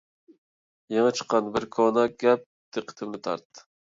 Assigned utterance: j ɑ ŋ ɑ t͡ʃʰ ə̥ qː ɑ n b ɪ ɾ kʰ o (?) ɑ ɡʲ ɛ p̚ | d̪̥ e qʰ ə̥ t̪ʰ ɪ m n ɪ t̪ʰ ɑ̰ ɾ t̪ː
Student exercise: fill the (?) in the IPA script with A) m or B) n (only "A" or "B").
B